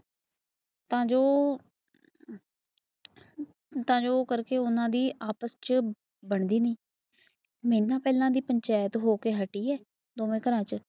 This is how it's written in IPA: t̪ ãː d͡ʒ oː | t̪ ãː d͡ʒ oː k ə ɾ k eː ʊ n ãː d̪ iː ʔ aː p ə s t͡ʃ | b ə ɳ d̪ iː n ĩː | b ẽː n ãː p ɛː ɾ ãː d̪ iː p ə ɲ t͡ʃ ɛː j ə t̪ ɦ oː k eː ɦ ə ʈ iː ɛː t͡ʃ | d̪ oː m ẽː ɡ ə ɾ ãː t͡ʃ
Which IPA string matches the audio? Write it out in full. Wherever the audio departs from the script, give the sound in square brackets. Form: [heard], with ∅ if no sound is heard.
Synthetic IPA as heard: t̪ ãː d͡ʒ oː | t̪ ãː d͡ʒ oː k ə ɾ k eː ʊ n ãː d̪ iː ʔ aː p ə s t͡ʃ | b ə ɳ d̪ iː n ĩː | [m] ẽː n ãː p ɛː [l] ãː d̪ iː p ə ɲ t͡ʃ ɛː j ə t̪ ɦ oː k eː ɦ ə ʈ iː ɛː [∅] | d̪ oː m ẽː [k] ə ɾ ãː t͡ʃ